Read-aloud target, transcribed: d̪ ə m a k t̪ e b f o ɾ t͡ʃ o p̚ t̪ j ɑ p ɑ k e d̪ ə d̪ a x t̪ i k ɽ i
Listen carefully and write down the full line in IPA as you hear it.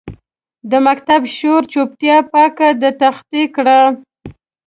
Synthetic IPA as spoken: d̪ ə m a k t̪ a b ʃ o ɾ t͡ʃ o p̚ t̪ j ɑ p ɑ k a d̪ ə t̪ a x t̪ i k ɽ a